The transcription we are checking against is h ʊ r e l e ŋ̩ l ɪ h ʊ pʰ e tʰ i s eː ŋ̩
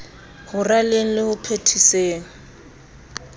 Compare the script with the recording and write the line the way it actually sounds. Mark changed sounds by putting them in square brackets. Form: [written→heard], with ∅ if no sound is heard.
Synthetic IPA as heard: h ʊ r [e→a] l e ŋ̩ l ɪ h ʊ pʰ e tʰ i s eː ŋ̩